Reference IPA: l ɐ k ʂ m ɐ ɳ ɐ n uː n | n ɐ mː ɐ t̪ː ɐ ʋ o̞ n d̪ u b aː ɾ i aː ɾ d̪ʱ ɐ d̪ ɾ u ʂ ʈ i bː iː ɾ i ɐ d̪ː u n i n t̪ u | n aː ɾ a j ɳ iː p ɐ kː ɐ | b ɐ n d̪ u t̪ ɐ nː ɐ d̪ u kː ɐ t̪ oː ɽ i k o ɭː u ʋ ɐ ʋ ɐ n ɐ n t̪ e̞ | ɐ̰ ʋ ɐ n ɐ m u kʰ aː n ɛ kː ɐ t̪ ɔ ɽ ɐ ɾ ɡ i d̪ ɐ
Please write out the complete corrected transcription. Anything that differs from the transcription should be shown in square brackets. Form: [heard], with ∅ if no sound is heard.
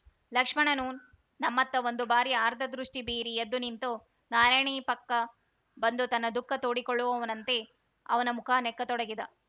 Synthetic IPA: l ɐ k ʂ m ɐ ɳ ɐ n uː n | n ɐ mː ɐ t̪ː ɐ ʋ o̞ n d̪ u b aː ɾ i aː ɾ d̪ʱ ɐ d̪ ɾ u ʂ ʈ i [b] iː ɾ i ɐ d̪ː u n i n t̪ u | n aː ɾ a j ɳ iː p ɐ kː ɐ | b ɐ n d̪ u t̪ ɐ nː ɐ d̪ u kː ɐ t̪ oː ɽ i k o ɭː u ʋ ɐ ʋ ɐ n ɐ n t̪ e̞ | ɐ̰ ʋ ɐ n ɐ m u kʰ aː n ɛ kː ɐ t̪ ɔ ɽ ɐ [∅] ɡ i d̪ ɐ

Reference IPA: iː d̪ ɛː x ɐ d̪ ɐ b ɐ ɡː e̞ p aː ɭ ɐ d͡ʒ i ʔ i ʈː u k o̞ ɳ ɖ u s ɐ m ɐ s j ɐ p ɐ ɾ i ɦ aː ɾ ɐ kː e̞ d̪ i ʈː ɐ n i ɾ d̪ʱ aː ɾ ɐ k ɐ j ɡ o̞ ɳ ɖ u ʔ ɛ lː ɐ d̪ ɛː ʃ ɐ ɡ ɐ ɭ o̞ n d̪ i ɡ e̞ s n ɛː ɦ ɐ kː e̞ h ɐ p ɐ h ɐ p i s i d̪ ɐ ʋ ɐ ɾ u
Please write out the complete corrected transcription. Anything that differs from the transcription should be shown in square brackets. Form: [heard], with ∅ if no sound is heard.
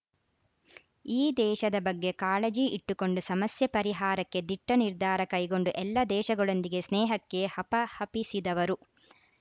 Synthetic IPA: iː d̪ ɛː [ʃ] ɐ d̪ ɐ b ɐ ɡː e̞ [k] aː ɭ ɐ d͡ʒ i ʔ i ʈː u k o̞ ɳ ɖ u s ɐ m ɐ s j ɐ p ɐ ɾ i ɦ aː ɾ ɐ kː e̞ d̪ i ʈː ɐ n i ɾ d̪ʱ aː ɾ ɐ k ɐ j ɡ o̞ ɳ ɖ u ʔ ɛ lː ɐ d̪ ɛː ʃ ɐ ɡ ɐ ɭ o̞ n d̪ i ɡ e̞ s n ɛː ɦ ɐ kː e̞ h ɐ p ɐ h ɐ p i s i d̪ ɐ ʋ ɐ ɾ u

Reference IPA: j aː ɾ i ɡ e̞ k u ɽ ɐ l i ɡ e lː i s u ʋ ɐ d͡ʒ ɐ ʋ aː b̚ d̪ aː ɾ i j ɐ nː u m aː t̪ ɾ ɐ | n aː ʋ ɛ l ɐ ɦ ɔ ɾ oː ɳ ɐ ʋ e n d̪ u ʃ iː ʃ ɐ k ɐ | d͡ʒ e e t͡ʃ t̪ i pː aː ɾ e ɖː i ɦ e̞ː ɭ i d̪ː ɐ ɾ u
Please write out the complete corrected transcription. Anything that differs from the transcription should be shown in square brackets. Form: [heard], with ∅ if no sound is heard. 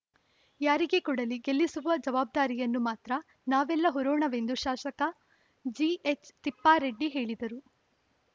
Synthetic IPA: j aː ɾ i ɡ e̞ k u ɽ ɐ l i ɡ e lː i s u ʋ ɐ d͡ʒ ɐ ʋ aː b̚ d̪ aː ɾ i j ɐ nː u m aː t̪ ɾ ɐ | n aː ʋ ɛ [lː] ɐ ɦ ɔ ɾ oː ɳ ɐ ʋ e n d̪ u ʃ [aː] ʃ ɐ k ɐ | d͡ʒ [i] e t͡ʃ t̪ i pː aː ɾ e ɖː i ɦ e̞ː ɭ i [d̪] ɐ ɾ u

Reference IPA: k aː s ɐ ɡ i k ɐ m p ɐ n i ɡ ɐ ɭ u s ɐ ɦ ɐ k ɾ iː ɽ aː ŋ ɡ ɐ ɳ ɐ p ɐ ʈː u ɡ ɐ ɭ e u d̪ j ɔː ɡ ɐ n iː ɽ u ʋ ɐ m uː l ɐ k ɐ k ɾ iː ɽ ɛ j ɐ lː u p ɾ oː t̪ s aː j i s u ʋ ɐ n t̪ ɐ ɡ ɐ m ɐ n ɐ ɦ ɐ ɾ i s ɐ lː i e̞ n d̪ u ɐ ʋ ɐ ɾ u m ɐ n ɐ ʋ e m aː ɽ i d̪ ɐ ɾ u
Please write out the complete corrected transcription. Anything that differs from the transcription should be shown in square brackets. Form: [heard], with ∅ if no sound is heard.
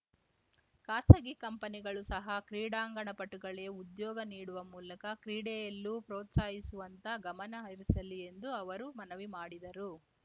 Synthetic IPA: k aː s ɐ ɡ i k ɐ m p ɐ n i ɡ ɐ ɭ u s ɐ ɦ ɐ k ɾ iː ɽ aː ŋ ɡ ɐ ɳ ɐ p ɐ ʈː u ɡ ɐ ɭ e u d̪ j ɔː ɡ ɐ n iː ɽ u ʋ ɐ m uː l ɐ k ɐ k ɾ iː ɽ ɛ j ɐ lː u p ɾ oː t̪ s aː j i s u ʋ ɐ n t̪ ɐ ɡ ɐ m ɐ n ɐ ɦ ɐ ɾ i s ɐ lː i e̞ n d̪ u ɐ ʋ ɐ ɾ u m ɐ n ɐ ʋ [i] m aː ɽ i d̪ ɐ ɾ u

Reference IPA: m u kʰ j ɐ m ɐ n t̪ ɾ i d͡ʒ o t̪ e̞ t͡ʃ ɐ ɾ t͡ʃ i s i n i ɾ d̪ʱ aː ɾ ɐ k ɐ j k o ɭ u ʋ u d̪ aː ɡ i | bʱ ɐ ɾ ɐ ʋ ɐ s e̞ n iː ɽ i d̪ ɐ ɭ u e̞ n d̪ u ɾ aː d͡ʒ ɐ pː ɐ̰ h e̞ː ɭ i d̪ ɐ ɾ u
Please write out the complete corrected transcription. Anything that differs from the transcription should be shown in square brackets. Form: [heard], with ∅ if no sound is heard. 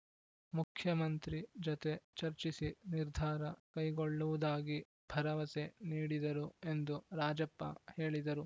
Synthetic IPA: m u kʰ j ɐ m ɐ n t̪ ɾ i d͡ʒ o t̪ e̞ t͡ʃ ɐ ɾ t͡ʃ i s i n i ɾ d̪ʱ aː ɾ ɐ k ɐ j [ɡ] o [ɭː] u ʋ u d̪ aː ɡ i | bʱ ɐ ɾ ɐ ʋ ɐ s e̞ n iː ɽ i d̪ ɐ [ɾ] u e̞ n d̪ u ɾ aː d͡ʒ ɐ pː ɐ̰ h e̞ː ɭ i d̪ ɐ ɾ u

